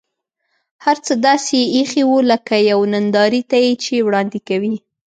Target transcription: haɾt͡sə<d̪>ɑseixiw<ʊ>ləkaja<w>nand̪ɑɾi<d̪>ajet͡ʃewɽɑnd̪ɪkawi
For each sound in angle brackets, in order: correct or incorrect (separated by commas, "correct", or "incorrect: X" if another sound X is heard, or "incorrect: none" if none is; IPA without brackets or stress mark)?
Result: correct, incorrect: u, correct, incorrect: t̪